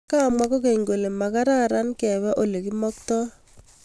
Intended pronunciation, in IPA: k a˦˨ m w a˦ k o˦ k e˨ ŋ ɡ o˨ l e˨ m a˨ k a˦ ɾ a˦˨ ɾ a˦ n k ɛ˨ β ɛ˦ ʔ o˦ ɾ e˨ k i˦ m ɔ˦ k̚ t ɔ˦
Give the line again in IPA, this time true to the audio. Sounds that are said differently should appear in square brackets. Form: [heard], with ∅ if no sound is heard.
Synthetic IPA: k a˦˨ m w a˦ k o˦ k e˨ ŋ ɡ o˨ l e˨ m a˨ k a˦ ɾ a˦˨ ɾ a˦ n k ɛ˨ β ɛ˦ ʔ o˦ [l] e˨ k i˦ m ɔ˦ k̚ t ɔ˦